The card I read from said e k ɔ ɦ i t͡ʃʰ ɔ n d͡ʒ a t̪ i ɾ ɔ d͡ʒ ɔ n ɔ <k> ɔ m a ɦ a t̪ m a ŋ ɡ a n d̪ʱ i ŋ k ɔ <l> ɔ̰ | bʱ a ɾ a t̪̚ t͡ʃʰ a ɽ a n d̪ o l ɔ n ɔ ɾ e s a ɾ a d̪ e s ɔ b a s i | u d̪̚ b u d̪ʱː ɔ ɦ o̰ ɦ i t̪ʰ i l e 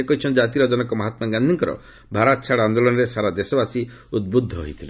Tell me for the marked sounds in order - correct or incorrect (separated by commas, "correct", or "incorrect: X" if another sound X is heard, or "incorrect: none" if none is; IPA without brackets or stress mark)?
correct, incorrect: ɾ